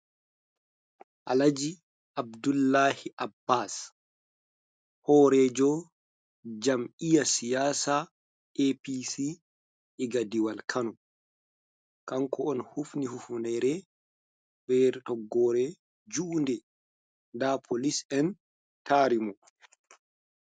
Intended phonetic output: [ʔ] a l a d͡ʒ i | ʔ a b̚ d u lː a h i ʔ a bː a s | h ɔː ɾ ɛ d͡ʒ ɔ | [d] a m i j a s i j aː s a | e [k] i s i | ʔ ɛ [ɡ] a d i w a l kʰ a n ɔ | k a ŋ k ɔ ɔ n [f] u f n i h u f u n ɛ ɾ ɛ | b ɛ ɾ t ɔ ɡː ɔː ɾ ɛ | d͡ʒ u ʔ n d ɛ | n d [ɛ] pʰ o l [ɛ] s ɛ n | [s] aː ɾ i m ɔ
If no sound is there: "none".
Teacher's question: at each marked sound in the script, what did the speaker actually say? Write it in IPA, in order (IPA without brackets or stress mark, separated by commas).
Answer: ʔ, d͡ʒ, p, ɡ, h, a, i, t